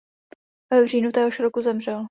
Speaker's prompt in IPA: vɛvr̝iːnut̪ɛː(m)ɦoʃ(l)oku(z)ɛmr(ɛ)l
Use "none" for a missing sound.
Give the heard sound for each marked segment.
none, ɾ, z, ɛ

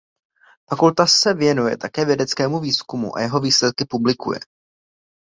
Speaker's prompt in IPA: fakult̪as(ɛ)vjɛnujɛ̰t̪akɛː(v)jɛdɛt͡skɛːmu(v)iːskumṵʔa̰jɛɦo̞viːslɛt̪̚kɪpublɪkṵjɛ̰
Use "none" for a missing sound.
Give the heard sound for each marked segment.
ɛ, v, v

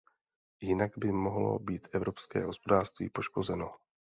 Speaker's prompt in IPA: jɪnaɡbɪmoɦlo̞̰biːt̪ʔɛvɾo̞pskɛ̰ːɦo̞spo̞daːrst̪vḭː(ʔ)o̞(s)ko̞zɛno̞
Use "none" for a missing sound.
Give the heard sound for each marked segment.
p, ʃ

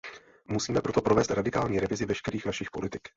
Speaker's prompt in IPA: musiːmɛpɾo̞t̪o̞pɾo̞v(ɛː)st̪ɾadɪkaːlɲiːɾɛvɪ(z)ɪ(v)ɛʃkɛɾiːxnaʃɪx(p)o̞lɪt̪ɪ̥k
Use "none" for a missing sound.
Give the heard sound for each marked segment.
ɛː, z, v, p

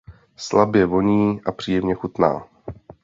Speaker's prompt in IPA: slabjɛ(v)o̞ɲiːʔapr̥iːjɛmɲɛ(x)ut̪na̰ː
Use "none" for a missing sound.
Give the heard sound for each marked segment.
v, x

